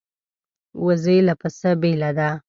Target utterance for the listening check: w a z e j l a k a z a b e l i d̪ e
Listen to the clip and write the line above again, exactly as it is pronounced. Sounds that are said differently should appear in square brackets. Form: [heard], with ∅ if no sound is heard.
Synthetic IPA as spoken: w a z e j l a [p] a [s] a b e l [a] d̪ [a]